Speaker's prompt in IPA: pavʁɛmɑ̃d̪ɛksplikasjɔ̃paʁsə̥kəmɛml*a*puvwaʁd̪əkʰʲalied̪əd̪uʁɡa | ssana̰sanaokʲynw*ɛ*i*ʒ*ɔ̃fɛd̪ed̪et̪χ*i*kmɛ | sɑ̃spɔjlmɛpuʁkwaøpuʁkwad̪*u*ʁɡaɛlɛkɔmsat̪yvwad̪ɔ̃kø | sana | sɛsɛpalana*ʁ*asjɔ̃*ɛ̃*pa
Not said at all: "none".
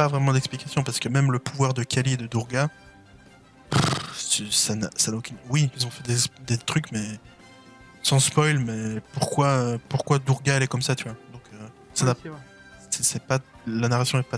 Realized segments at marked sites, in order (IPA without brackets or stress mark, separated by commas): ə, i, z, y, u, ʁ, ɛ